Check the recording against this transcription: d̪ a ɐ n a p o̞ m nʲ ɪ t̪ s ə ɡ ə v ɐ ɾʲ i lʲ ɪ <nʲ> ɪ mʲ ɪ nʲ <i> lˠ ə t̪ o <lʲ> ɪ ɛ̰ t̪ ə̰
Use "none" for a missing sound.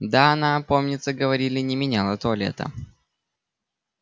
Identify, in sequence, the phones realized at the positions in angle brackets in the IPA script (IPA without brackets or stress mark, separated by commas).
nʲ, a, lʲ